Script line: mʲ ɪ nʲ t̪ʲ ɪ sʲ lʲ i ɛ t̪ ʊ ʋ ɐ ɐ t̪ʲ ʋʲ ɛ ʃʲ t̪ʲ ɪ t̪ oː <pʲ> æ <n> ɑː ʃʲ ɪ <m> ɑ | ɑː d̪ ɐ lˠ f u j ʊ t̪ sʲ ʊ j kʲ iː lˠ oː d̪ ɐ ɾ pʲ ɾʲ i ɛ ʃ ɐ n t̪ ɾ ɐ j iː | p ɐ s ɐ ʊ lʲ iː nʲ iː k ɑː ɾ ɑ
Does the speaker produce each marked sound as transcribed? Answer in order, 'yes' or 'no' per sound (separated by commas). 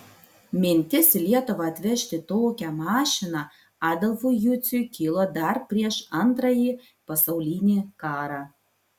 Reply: no, no, no